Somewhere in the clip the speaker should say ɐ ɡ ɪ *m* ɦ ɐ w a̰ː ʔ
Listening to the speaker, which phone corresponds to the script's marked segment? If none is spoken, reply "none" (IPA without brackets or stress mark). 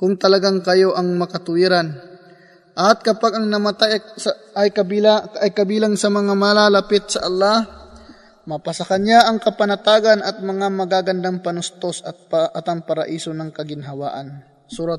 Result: n